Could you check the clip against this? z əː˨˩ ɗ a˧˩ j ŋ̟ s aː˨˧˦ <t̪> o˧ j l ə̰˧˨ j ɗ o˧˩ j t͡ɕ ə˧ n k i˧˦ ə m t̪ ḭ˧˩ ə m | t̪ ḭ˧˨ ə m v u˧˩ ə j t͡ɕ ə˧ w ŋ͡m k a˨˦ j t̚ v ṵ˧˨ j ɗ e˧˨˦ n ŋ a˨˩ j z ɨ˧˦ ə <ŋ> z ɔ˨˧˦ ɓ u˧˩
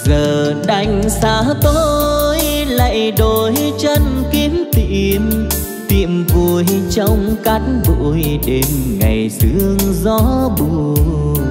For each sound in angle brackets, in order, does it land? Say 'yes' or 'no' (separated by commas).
yes, yes